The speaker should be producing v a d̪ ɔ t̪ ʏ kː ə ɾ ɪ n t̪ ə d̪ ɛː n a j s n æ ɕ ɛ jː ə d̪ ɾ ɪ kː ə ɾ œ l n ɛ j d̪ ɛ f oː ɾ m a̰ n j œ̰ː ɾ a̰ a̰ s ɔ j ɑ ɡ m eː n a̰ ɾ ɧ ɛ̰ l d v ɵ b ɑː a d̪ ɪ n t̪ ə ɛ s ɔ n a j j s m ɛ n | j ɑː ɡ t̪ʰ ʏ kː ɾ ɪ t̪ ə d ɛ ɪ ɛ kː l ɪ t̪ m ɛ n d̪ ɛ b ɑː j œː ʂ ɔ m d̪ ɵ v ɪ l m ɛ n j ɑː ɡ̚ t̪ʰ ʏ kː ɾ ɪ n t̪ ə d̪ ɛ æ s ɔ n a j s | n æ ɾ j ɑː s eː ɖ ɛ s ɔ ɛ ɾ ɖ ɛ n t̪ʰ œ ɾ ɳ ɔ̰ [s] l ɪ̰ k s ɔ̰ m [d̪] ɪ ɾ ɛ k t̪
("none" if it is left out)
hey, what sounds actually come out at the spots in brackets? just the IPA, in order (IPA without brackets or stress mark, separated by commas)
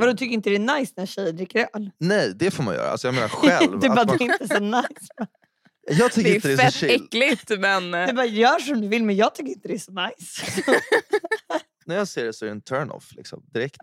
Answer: f, d̪